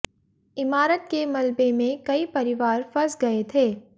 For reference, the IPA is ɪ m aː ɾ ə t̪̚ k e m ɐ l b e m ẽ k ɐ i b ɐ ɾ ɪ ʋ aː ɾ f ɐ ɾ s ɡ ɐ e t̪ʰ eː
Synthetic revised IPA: ɪ m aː ɾ ə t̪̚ k e m ɐ l b e m ẽ k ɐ i p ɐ ɾ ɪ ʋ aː ɾ f ɐ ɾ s ɡ ɐ e t̪ʰ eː